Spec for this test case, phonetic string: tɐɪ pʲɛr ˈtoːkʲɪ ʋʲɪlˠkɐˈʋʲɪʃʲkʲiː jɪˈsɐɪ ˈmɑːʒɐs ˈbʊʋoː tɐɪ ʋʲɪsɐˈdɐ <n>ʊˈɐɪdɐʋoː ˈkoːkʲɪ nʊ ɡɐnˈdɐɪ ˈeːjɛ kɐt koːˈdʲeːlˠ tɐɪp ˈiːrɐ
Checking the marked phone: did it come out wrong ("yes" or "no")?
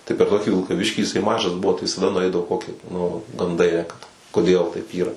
no